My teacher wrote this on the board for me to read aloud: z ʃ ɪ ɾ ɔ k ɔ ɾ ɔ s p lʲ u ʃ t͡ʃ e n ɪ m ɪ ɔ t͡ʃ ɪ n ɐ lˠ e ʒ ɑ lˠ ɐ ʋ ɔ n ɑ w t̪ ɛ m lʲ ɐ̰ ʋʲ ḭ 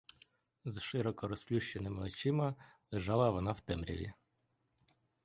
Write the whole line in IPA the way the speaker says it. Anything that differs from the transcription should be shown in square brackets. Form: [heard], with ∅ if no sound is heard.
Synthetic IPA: z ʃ ɪ ɾ ɔ k ɔ ɾ ɔ s p lʲ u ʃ t͡ʃ e n ɪ m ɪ ɔ t͡ʃ ɪ [m] ɐ lˠ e ʒ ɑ lˠ ɐ ʋ ɔ n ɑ w t̪ ɛ m [ɾʲ] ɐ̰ ʋʲ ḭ